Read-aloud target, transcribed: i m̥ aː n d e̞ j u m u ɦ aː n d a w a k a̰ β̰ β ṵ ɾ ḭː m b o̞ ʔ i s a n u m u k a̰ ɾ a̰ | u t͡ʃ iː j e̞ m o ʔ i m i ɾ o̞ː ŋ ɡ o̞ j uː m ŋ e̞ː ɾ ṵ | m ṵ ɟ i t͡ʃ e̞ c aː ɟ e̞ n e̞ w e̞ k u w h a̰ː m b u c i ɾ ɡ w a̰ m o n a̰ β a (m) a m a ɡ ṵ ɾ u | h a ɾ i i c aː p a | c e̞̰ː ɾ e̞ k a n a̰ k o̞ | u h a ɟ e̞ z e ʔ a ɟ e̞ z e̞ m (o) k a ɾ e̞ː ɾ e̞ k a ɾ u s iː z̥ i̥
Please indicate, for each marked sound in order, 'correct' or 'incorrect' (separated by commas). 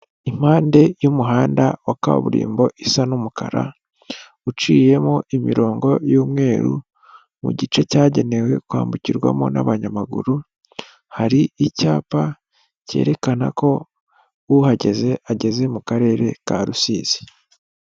incorrect, incorrect